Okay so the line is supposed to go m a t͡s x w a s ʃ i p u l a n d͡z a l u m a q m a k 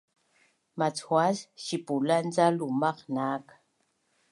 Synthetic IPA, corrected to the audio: m a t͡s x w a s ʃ i p u l a n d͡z a l u m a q n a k